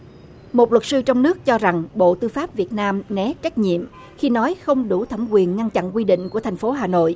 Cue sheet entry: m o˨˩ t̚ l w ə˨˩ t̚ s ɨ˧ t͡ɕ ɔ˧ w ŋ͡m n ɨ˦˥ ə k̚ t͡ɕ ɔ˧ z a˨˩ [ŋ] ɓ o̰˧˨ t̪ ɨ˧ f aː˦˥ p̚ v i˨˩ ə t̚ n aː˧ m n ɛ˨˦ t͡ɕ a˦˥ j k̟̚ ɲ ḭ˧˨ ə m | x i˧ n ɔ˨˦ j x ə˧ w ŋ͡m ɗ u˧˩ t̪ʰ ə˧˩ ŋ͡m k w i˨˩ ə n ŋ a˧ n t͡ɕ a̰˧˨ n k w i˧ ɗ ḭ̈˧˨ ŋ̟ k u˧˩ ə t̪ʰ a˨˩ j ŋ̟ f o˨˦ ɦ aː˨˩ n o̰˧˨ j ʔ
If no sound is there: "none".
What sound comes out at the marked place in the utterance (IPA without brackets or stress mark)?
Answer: ŋ